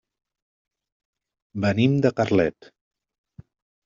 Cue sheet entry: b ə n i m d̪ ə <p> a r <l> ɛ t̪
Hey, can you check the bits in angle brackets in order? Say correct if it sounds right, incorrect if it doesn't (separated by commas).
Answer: incorrect, correct